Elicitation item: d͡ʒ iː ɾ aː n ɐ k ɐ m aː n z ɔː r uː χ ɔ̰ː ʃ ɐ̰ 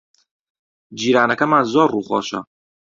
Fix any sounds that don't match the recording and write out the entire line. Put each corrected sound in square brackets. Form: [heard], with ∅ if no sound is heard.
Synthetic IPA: d͡ʒ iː ɾ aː n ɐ k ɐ m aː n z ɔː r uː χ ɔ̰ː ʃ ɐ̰